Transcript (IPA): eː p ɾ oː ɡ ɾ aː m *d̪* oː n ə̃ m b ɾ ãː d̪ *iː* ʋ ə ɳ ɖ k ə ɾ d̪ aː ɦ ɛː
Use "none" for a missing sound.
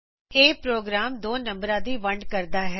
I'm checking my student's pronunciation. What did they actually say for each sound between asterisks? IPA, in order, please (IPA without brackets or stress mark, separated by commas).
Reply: d̪, iː